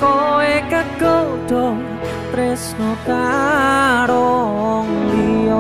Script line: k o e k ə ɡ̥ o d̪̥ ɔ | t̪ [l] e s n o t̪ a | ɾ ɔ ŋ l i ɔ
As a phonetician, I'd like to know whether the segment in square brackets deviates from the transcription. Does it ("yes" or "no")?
yes